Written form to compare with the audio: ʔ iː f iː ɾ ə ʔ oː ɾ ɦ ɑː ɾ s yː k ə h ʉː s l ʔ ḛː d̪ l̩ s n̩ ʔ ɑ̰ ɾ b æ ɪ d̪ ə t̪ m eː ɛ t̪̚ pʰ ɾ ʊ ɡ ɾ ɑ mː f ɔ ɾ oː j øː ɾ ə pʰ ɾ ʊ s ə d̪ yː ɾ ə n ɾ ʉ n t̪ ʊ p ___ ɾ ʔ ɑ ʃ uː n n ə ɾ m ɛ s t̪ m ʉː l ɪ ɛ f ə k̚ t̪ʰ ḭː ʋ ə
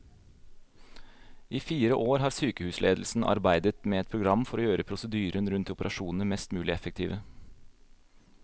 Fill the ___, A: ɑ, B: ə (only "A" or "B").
B